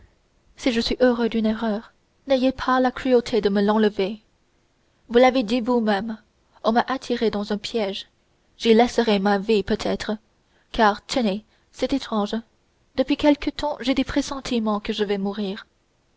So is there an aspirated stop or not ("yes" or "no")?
yes